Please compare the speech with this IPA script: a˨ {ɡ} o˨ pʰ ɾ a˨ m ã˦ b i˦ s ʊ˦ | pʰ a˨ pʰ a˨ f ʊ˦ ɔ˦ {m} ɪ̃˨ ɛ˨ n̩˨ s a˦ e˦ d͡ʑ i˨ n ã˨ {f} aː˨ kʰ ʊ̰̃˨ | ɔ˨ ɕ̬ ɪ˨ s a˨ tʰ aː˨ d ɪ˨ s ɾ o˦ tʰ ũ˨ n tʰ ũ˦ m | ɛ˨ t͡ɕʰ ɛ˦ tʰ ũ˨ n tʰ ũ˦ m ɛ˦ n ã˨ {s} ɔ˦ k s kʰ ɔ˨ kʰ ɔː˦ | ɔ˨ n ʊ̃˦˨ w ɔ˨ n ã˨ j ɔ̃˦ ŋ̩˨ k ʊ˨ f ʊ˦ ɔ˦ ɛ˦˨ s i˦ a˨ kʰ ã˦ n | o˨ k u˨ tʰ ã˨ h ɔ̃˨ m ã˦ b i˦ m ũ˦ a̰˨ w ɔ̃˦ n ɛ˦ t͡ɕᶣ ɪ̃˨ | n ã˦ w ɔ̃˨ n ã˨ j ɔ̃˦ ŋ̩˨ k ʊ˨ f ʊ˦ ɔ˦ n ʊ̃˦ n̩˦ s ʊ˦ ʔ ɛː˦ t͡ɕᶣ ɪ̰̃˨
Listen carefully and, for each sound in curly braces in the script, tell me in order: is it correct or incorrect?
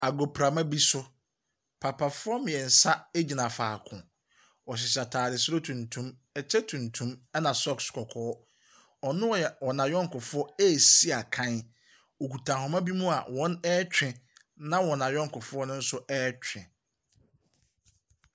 correct, correct, correct, correct

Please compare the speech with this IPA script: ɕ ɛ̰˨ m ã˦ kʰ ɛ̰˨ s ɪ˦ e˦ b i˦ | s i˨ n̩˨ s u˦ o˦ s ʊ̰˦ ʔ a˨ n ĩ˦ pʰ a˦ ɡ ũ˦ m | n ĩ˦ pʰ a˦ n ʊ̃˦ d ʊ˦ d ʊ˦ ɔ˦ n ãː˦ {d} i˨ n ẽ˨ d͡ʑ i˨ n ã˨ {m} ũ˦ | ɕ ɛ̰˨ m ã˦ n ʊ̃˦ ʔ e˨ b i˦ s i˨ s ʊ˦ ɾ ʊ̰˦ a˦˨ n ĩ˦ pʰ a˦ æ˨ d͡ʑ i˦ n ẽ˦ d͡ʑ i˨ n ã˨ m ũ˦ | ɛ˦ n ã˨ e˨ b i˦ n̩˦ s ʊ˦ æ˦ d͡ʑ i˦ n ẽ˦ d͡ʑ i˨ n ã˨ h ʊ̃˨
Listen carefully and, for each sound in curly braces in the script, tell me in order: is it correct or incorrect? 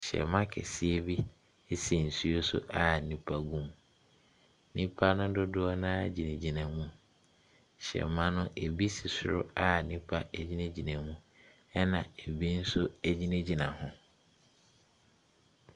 incorrect: d͡ʑ, correct

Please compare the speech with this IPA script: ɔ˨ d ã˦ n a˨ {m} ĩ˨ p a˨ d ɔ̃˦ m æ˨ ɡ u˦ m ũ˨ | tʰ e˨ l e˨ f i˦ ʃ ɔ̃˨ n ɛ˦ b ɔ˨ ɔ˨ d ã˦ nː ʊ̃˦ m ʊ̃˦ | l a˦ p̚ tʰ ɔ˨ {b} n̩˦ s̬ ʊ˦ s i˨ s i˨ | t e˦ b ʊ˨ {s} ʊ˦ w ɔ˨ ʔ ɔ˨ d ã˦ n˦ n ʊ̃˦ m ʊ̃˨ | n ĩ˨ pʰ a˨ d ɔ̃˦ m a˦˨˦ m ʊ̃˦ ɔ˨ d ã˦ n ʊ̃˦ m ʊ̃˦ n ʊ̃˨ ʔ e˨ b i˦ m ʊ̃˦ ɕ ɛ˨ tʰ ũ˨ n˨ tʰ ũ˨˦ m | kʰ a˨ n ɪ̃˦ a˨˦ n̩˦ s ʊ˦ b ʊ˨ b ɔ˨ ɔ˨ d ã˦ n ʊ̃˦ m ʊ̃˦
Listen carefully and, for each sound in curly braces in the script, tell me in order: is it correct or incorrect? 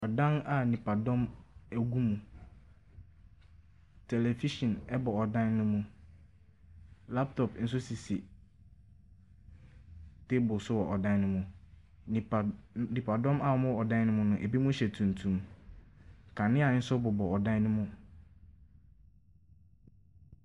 incorrect: n, incorrect: p, correct

